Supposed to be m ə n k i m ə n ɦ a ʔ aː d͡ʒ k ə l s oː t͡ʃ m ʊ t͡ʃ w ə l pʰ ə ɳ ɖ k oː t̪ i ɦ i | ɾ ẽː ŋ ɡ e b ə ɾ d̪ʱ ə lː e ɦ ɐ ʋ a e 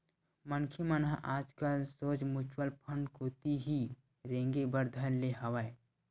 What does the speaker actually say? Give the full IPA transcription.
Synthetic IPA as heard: m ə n kʰ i m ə n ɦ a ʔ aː d͡ʒ k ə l s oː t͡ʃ m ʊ t͡ʃ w ə l pʰ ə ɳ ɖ k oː t̪ i ɦ i | ɾ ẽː ŋ ɡ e b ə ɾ d̪ʱ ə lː e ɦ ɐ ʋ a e